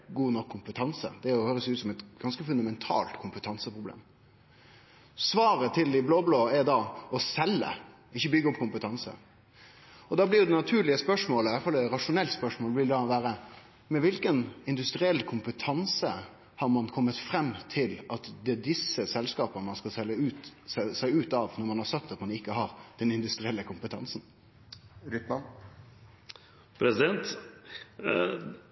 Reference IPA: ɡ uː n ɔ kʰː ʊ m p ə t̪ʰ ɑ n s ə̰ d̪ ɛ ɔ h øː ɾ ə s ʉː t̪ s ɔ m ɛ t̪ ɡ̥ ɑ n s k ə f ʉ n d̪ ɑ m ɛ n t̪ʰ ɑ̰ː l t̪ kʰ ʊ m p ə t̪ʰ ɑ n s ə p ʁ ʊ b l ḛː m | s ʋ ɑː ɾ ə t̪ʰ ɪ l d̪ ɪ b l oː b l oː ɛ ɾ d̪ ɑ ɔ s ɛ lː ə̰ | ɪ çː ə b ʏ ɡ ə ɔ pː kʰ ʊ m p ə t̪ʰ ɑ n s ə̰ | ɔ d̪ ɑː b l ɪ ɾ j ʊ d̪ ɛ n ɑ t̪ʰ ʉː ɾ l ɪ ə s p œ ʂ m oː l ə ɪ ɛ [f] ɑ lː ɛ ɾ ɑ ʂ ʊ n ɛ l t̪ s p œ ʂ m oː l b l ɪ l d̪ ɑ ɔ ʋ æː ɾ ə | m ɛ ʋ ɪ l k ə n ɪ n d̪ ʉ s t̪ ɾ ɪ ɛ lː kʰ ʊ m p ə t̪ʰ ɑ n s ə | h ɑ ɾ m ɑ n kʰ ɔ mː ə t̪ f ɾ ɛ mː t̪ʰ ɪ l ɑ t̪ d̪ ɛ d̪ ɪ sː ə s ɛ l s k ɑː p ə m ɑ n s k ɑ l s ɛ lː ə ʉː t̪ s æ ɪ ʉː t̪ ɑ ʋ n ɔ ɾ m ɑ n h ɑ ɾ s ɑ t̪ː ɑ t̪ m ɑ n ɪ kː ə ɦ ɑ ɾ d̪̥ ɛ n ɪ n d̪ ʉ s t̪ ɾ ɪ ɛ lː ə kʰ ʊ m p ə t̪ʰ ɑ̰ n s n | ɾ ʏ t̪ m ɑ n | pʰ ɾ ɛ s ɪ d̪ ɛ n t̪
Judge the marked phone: correct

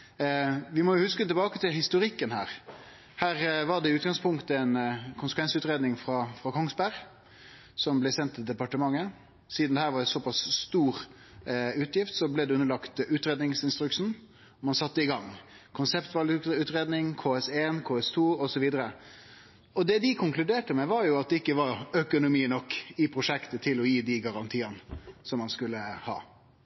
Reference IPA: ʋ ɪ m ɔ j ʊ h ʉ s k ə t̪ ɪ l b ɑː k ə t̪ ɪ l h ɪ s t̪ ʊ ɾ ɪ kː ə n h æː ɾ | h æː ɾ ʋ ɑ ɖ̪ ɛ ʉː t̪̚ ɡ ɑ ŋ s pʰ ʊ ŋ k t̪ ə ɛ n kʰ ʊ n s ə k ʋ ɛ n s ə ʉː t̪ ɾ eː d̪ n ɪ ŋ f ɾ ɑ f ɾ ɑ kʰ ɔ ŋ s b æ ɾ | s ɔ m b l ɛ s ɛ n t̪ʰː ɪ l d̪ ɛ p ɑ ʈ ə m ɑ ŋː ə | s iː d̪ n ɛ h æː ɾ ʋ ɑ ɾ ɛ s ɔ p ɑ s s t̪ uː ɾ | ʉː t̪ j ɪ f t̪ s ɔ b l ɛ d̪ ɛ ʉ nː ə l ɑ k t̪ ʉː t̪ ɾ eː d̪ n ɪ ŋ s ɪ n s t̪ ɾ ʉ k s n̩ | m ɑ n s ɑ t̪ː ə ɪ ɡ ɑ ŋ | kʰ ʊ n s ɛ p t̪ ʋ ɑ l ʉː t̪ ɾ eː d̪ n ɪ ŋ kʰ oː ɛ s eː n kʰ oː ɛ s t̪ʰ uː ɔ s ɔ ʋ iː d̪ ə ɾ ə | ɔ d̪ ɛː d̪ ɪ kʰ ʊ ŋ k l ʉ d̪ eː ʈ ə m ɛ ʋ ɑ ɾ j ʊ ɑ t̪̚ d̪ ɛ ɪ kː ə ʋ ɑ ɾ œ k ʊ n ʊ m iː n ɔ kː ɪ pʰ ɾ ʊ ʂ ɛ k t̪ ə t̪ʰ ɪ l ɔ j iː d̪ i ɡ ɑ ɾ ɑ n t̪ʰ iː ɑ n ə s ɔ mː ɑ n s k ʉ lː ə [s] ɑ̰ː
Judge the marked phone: incorrect: h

